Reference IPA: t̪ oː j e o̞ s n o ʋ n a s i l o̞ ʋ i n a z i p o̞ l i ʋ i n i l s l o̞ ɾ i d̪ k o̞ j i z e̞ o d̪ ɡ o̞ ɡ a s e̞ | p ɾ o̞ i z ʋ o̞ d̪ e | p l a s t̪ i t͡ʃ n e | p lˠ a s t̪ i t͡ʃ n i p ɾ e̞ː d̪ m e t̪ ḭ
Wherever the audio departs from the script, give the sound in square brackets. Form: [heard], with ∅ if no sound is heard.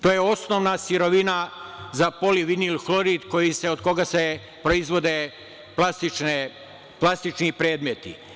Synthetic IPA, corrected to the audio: t̪ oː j e o̞ s n o ʋ n a s i [ɾ] o̞ ʋ i n a z [a] p o̞ l i ʋ i n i l [x] l o̞ ɾ i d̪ k o̞ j i [s] e̞ o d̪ [k] o̞ ɡ a s e̞ | p ɾ o̞ i z ʋ o̞ d̪ e | p l a s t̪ i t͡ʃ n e | p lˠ a s t̪ i t͡ʃ n i p ɾ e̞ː d̪ m e t̪ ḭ